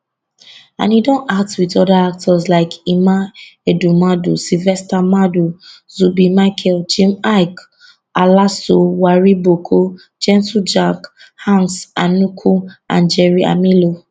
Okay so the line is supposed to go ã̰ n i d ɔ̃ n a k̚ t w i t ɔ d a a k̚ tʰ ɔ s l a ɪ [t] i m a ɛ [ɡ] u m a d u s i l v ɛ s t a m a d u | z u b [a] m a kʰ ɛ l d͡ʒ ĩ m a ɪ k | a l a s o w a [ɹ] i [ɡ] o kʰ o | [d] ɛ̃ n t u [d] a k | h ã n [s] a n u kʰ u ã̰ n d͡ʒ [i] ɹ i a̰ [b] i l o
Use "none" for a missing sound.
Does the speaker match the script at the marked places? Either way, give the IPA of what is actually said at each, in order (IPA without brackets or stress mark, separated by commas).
k, d, i, ɹ, b, d͡ʒ, d͡ʒ, s, ɛ, m